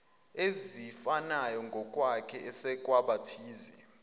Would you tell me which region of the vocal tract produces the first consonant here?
tongue tip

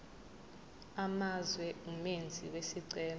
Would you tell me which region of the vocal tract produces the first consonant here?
lips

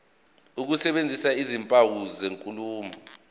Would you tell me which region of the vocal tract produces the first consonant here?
velum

